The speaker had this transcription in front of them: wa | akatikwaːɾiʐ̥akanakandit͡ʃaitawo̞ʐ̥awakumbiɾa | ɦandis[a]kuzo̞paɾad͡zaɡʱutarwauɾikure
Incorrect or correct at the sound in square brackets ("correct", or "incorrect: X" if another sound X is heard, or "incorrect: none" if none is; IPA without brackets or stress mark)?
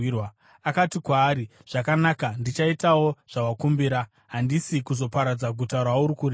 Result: incorrect: i